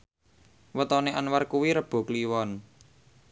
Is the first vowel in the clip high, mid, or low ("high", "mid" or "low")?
mid